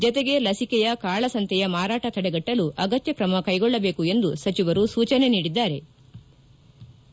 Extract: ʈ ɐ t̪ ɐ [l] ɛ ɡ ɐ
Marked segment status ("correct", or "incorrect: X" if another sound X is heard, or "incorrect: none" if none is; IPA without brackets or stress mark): incorrect: ɽ